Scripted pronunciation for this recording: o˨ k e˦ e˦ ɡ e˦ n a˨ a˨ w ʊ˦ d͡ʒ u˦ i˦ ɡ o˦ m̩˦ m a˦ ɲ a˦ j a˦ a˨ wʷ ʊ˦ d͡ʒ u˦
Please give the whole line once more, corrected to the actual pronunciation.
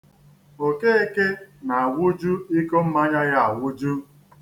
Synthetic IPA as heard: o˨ k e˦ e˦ k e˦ n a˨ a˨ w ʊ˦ d͡ʒ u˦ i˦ k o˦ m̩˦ m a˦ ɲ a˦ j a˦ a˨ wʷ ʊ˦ d͡ʒ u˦